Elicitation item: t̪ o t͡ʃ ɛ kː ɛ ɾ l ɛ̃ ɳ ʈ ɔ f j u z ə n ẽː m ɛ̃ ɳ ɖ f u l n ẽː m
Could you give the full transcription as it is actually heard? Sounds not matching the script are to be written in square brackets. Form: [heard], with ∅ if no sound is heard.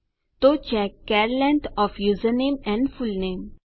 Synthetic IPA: t̪ o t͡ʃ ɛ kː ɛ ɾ l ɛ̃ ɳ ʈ ɔ f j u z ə n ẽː m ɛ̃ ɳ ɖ f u l n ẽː m